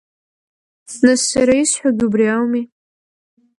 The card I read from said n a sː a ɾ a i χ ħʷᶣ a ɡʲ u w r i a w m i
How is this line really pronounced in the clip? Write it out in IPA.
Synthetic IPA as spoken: n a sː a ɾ a i s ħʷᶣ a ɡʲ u b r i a w m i